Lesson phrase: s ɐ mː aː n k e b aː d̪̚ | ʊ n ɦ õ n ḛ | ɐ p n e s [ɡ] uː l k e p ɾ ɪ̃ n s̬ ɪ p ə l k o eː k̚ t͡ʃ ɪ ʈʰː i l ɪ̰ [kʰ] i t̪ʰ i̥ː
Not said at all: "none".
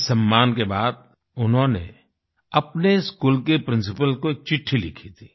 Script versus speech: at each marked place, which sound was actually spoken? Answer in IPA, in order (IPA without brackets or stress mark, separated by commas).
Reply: k, kʰ